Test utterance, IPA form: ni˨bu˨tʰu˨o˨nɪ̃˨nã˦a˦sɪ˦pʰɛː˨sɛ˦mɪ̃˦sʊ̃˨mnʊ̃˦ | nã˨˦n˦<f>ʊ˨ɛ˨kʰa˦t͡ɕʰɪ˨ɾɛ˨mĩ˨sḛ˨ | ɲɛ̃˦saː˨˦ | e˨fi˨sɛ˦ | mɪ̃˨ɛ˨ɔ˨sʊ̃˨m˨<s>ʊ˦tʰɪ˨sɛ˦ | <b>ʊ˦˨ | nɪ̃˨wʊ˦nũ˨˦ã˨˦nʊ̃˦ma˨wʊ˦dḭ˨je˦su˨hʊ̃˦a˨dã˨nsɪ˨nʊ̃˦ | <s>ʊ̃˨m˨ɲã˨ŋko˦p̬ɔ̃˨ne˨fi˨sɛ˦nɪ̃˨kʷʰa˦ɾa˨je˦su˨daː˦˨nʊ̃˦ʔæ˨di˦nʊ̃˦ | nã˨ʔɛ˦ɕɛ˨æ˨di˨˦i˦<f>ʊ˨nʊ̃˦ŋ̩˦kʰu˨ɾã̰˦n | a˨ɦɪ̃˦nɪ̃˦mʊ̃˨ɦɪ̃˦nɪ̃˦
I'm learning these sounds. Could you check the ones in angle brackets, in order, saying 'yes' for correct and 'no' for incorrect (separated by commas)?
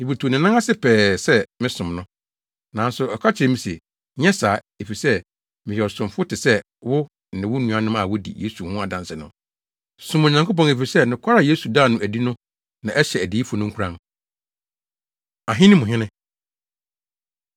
no, no, no, yes, yes